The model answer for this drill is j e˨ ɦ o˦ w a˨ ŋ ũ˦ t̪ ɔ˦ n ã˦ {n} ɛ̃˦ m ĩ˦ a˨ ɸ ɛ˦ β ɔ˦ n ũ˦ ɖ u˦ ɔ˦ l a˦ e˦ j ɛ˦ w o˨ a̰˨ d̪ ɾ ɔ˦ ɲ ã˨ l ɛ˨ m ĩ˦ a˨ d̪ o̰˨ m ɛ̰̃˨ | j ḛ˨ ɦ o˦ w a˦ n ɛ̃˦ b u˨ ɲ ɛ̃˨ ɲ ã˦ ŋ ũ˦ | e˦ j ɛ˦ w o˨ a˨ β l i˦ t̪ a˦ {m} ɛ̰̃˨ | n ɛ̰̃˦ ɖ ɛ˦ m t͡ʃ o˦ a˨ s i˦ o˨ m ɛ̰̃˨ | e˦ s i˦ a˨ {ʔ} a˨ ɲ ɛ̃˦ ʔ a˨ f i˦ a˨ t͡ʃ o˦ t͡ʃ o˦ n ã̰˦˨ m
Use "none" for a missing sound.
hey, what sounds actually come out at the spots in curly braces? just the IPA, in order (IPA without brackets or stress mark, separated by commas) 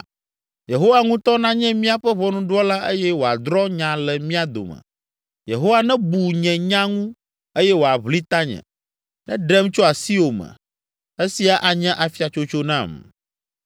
ɲ, ɲ, ʔ